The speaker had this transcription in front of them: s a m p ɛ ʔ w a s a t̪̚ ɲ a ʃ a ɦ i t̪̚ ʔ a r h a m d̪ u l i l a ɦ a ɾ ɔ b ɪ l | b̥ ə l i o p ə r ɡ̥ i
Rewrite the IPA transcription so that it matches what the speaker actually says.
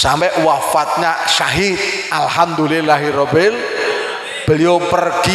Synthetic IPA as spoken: s a m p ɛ ʔ w a f a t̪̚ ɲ a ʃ a ɦ i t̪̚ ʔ a l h a m d̪ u l i l a ɦ i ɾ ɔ b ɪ l | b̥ ə l i o p ə r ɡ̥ i